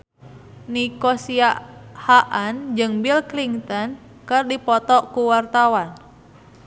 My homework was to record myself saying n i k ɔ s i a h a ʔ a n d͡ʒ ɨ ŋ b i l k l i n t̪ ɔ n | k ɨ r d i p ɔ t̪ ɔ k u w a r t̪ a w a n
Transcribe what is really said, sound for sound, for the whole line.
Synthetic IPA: n i k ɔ s i a h a ʔ a n d͡ʒ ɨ ŋ b i l k l i ŋ t̪ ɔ n | k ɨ r d i p ɔ t̪ ɔ k u w a r t̪ a w a n